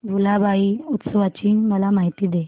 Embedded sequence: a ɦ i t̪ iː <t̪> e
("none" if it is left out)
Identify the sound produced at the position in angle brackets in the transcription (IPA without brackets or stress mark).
d̪